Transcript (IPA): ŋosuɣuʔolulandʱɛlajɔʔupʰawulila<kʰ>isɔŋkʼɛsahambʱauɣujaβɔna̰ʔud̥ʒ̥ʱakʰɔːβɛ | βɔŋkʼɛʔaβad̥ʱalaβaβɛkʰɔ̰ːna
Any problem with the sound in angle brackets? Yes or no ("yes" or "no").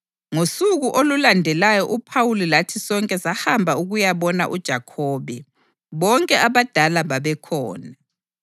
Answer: yes